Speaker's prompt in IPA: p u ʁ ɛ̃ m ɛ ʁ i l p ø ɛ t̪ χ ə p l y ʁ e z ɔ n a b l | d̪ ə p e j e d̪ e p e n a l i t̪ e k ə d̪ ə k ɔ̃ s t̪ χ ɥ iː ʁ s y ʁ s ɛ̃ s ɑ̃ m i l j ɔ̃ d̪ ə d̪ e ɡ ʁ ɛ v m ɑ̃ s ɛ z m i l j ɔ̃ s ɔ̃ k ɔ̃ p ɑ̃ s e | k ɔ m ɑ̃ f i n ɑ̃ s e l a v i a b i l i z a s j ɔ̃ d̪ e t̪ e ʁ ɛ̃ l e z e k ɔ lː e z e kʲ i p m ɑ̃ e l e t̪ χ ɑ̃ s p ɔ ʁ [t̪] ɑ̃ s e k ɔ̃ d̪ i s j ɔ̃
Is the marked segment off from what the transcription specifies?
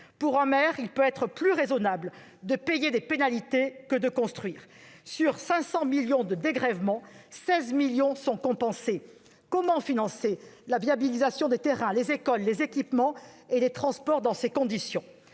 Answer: yes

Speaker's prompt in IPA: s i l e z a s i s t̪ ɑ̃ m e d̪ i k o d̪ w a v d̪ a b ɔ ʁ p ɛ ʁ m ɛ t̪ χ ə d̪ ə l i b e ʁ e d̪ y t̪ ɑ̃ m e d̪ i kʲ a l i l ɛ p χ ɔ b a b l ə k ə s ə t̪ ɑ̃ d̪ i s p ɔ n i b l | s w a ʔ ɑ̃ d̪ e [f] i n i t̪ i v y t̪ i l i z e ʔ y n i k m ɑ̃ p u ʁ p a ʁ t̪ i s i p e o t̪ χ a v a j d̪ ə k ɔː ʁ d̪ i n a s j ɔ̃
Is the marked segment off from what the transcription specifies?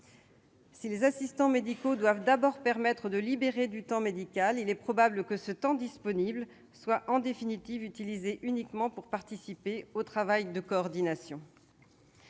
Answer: no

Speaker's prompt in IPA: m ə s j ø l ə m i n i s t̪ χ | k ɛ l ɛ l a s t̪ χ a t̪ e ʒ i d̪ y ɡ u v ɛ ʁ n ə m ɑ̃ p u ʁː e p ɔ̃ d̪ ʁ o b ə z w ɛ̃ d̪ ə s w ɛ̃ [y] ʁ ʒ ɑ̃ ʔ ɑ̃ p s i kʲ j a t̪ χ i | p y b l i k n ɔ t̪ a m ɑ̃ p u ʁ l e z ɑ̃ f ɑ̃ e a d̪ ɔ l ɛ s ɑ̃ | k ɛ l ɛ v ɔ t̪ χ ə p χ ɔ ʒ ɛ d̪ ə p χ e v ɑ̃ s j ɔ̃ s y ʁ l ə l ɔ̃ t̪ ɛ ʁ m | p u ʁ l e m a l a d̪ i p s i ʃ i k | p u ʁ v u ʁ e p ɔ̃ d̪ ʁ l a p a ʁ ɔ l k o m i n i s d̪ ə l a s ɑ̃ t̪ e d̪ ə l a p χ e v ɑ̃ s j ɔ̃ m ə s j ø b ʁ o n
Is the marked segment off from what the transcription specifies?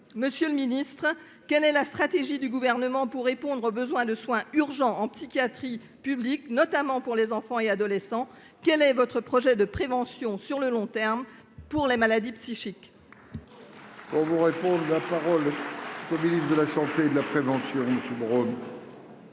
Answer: no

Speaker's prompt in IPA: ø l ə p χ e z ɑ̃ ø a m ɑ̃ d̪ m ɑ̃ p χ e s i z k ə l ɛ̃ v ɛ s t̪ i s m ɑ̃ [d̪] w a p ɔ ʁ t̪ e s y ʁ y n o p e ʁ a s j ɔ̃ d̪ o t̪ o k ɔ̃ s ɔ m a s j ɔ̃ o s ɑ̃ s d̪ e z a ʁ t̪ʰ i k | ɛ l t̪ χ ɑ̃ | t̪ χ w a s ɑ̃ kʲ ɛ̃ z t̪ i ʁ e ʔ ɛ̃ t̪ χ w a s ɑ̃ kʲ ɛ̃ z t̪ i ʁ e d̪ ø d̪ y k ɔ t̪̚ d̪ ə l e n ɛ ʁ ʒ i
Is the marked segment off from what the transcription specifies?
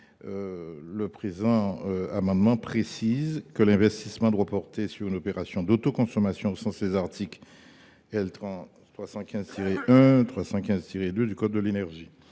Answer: no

